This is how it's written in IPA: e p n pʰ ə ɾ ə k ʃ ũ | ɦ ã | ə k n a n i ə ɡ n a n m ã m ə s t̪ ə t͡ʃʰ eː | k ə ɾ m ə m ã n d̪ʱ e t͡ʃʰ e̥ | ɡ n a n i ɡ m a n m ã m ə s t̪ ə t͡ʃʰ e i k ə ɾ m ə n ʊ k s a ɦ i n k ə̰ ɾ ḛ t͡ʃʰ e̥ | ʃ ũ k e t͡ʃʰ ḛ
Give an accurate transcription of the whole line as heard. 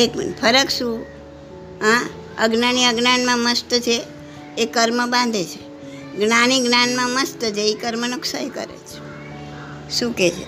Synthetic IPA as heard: e k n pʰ ə ɾ ə k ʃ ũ | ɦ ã | ə ɡ n a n i ə ɡ n a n m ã m ə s t̪ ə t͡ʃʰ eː | k ə ɾ m ə b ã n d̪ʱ e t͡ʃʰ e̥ | ɡ n a n i ɡ n a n m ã m ə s t̪ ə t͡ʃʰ e i k ə ɾ m ə n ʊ k s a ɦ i k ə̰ ɾ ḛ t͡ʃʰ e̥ | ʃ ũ k e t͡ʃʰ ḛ